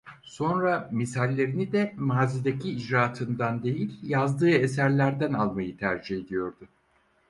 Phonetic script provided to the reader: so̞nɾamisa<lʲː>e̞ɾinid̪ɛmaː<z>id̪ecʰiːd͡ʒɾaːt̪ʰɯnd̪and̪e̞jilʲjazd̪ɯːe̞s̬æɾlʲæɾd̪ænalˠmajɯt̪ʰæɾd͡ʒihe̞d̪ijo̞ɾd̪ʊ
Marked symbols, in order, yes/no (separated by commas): yes, yes